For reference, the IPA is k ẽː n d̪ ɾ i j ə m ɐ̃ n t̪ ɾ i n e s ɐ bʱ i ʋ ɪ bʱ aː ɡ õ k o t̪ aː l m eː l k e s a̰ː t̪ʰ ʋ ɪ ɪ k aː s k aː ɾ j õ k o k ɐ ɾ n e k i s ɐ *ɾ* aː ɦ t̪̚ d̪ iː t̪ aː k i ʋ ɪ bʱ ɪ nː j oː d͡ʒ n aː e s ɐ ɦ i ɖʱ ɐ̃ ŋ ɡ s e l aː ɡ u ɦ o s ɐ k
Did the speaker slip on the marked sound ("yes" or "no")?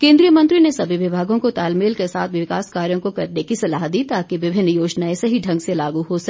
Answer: yes